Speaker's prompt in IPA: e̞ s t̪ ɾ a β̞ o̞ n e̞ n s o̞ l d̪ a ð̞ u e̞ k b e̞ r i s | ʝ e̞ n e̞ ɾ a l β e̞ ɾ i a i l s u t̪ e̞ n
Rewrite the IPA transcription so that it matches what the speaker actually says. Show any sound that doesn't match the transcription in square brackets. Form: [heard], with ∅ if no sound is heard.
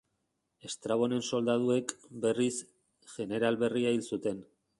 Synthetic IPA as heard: e̞ s t̪ ɾ a β̞ o̞ n e̞ n s o̞ l d̪ a ð̞ u e̞ k b e̞ r i s | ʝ e̞ n e̞ ɾ a l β e̞ [r] i a i l s u t̪ e̞ n